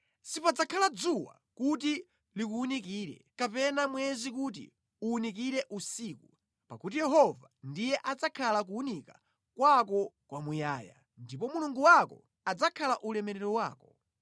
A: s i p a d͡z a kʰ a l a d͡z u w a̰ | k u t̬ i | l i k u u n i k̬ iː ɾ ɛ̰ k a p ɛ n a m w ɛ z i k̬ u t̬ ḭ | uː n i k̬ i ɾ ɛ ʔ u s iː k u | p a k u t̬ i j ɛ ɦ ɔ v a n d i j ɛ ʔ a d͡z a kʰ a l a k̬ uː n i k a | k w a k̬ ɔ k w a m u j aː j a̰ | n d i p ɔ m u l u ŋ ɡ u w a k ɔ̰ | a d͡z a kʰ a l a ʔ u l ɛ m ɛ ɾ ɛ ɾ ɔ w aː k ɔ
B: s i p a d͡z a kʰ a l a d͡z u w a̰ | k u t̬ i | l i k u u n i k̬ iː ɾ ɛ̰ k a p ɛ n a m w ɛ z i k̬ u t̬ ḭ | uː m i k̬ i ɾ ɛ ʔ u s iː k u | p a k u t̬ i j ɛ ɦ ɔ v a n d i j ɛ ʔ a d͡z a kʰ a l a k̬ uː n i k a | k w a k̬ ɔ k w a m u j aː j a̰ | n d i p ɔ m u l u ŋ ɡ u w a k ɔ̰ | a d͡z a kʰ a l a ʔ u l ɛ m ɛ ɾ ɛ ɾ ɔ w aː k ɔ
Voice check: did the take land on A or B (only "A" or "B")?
A